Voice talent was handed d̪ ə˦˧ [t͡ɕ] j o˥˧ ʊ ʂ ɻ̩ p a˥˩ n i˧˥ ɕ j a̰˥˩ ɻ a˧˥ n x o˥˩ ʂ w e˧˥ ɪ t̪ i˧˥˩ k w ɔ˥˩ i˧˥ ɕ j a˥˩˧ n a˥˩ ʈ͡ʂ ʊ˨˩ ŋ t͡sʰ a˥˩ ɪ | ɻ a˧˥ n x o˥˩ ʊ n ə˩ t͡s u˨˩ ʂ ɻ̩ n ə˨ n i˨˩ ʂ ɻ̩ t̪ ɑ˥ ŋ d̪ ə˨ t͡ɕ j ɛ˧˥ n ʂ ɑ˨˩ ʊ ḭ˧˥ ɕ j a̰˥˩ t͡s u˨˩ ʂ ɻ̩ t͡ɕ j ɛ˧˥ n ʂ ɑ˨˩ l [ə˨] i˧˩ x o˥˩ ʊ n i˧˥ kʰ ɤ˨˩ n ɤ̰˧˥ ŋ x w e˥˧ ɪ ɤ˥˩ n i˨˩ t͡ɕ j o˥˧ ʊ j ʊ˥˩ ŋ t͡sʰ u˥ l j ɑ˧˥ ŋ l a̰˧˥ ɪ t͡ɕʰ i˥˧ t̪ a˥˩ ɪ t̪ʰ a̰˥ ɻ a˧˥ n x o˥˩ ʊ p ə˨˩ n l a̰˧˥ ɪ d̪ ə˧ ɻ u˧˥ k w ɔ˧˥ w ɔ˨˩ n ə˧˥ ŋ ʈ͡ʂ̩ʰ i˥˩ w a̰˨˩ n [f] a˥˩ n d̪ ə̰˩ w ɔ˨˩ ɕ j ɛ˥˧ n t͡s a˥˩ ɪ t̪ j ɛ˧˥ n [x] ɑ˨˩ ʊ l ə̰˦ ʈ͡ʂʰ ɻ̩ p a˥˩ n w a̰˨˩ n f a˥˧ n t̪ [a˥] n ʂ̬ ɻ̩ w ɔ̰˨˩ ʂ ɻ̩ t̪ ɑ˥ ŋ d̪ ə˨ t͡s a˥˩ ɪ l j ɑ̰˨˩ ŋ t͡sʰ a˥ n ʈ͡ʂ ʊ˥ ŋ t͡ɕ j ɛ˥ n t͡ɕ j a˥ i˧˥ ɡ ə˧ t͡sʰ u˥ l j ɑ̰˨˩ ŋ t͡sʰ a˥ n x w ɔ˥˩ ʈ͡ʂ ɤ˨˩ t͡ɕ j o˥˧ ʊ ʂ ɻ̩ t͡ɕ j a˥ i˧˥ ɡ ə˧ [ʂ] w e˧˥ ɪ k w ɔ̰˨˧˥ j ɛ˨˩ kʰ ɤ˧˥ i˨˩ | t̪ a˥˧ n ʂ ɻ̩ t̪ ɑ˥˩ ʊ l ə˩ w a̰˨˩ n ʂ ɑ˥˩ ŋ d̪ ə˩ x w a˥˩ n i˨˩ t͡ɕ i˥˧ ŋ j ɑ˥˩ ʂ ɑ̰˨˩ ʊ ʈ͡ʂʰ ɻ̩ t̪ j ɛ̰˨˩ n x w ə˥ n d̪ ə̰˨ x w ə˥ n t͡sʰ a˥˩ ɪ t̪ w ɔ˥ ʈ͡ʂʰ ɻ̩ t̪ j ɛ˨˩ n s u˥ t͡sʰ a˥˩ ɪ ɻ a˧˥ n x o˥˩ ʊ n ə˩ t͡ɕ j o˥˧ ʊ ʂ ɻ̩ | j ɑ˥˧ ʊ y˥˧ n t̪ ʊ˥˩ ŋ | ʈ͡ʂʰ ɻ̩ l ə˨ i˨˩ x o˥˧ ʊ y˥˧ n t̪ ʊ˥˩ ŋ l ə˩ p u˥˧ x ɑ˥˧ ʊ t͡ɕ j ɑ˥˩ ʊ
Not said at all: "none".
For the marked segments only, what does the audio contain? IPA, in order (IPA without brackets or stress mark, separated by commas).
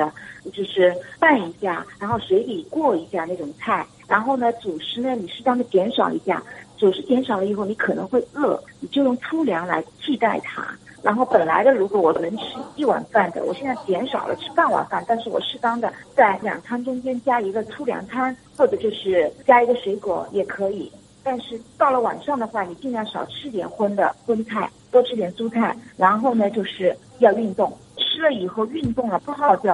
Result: t͡ɕ, ə˦, f, ʂ, a˥˧, ʂ